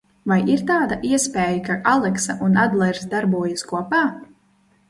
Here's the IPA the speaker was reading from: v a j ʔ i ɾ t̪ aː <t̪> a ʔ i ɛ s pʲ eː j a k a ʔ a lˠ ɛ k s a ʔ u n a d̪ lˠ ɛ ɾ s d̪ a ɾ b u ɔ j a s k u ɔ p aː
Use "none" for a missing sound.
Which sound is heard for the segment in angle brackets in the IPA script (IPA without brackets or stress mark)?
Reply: d̪